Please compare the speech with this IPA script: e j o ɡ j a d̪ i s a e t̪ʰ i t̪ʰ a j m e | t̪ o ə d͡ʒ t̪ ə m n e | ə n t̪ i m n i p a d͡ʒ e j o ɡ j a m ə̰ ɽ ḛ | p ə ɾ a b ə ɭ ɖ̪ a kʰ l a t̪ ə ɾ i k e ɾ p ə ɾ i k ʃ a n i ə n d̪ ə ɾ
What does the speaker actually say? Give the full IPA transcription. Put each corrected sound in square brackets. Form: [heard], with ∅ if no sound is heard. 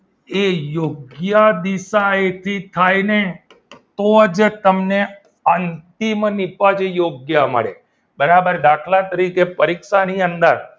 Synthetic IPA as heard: e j o ɡ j a d̪ i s a e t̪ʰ i t̪ʰ a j [n] e | t̪ o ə d͡ʒ t̪ ə m n e | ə n t̪ i m n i p a d͡ʒ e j o ɡ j a m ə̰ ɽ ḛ | [b] ə ɾ a b ə [ɾ] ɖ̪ a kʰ l a t̪ ə ɾ i k e [∅] p ə ɾ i k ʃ a n i ə n d̪ ə ɾ